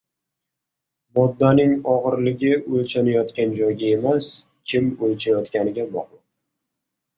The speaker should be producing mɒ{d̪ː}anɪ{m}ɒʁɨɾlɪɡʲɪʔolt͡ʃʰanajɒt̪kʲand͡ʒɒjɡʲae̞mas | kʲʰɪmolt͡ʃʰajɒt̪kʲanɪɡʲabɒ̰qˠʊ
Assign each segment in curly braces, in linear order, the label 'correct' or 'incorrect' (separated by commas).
correct, incorrect